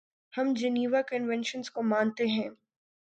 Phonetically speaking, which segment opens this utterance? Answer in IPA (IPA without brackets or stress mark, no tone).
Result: h